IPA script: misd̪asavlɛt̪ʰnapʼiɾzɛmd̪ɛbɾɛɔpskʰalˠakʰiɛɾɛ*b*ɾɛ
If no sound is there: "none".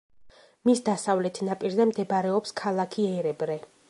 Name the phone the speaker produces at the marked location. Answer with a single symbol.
b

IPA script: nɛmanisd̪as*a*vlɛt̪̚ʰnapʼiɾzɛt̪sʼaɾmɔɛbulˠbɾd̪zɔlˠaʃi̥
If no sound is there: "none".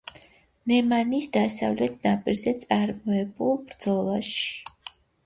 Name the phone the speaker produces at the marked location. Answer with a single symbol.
a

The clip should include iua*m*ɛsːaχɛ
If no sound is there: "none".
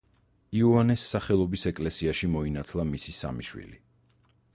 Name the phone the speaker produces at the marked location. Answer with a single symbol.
n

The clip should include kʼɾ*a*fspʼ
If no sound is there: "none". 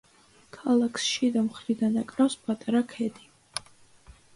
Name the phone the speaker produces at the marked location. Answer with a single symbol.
a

